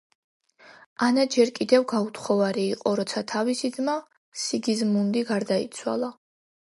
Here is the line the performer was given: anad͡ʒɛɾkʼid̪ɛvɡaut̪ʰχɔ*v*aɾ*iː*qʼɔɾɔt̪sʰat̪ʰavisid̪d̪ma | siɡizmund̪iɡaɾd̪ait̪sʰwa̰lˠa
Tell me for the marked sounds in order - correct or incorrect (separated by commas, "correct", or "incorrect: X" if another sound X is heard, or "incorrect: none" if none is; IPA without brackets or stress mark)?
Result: correct, correct